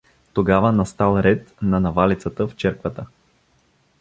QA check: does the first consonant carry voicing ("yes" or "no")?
no